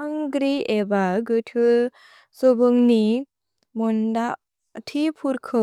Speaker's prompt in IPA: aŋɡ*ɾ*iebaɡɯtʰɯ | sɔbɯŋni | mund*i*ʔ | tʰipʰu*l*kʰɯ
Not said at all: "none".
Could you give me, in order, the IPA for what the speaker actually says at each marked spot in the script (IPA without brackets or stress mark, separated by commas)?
ɾ, a, ɾ